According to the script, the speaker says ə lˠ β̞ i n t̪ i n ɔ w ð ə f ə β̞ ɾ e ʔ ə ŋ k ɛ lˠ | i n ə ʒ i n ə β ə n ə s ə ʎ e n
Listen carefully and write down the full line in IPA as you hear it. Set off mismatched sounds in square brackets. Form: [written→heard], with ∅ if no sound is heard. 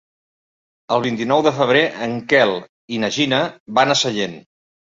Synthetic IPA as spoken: ə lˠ β̞ i n t̪ i n ɔ w ð ə f ə β̞ ɾ e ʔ ə ŋ k ɛ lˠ | i n ə ʒ i n ə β [ə→a] n ə s ə ʎ e n